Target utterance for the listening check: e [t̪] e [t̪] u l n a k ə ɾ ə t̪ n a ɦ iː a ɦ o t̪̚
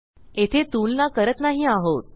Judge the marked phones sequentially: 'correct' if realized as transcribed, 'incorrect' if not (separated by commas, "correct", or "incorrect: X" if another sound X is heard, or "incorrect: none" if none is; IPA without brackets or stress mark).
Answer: incorrect: t̪ʰ, correct